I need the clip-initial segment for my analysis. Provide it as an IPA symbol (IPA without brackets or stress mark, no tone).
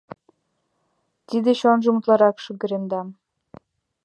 t̪